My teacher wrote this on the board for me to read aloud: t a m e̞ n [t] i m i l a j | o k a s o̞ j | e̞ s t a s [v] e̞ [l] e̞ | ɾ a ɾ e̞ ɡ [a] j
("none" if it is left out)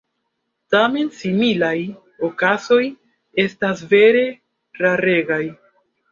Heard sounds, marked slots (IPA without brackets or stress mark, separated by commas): s, v, ɾ, a